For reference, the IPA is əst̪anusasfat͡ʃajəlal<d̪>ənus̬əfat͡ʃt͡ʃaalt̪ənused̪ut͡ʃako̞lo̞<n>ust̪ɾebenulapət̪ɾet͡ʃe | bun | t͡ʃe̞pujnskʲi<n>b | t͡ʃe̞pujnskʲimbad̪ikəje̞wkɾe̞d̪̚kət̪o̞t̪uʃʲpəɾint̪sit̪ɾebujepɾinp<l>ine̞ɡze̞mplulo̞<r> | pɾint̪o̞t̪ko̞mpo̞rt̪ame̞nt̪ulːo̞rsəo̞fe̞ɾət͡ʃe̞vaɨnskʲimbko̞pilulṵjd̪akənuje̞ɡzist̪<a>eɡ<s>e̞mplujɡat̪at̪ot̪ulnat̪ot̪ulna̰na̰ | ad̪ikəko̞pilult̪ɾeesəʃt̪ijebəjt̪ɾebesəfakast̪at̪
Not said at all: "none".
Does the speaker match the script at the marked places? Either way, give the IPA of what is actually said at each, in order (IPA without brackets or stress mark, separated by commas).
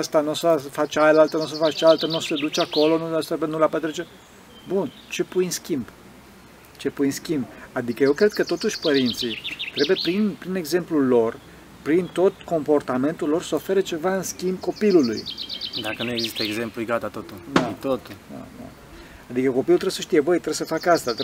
t̪, n, m, ɾ, r, ə, z